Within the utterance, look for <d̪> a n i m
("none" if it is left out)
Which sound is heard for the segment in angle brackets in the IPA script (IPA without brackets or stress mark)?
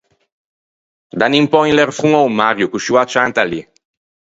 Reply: d̪